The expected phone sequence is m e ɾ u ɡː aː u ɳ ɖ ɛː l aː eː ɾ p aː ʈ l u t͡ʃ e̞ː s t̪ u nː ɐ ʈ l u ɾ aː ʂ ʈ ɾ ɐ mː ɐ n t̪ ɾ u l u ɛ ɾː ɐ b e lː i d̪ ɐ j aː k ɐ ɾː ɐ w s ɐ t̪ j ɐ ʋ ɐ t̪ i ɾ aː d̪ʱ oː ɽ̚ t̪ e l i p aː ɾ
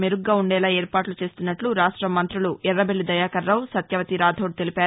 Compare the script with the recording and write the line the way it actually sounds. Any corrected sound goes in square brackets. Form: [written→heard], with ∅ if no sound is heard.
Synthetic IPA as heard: m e ɾ u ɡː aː u ɳ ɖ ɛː l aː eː ɾ p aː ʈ l u t͡ʃ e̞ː s t̪ u nː ɐ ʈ l u ɾ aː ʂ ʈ ɾ ɐ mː ɐ n t̪ ɾ u l u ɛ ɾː ɐ b e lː i d̪ ɐ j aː k ɐ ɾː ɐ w s ɐ t̪ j ɐ ʋ ɐ t̪ i ɾ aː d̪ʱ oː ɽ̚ t̪ e l i p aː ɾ